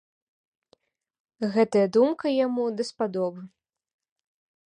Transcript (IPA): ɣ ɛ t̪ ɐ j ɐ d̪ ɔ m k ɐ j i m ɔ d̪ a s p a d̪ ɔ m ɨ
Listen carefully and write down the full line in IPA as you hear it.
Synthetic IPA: ɣ ɛ t̪ ɐ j ɐ d̪ u m k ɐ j a m u d̪ ɐ s p a d̪ ɔ b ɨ